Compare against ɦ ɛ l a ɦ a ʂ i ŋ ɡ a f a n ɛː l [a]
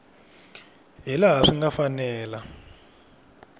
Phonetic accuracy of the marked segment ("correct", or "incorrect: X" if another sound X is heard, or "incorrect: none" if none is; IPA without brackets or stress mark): correct